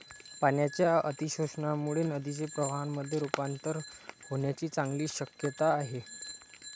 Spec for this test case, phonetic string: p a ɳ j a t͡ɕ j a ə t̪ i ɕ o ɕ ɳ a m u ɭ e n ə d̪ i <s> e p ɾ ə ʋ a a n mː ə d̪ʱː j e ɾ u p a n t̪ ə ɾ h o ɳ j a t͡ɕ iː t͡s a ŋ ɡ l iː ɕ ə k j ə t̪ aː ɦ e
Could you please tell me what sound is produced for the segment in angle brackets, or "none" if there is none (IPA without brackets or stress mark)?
t͡s